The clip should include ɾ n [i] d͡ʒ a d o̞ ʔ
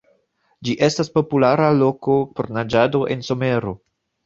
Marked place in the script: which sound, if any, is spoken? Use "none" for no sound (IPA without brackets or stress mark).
a